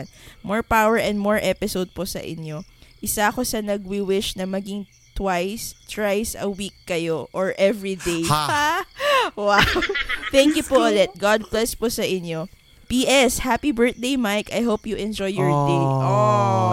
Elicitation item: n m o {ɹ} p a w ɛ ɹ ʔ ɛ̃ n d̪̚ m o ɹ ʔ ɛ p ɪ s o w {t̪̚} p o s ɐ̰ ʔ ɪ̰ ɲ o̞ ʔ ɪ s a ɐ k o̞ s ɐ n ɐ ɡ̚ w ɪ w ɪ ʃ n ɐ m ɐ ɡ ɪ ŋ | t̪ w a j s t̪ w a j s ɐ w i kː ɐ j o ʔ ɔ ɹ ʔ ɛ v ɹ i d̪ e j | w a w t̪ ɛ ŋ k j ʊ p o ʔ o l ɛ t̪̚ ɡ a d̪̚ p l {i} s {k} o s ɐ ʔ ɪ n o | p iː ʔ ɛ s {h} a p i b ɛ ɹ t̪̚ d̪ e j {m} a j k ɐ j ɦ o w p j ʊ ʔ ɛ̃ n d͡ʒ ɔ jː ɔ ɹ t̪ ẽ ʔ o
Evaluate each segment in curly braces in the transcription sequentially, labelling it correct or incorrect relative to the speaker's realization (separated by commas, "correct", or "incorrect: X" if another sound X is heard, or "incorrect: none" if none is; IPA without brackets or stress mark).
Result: correct, incorrect: d̪̚, incorrect: ɛ, incorrect: p, correct, correct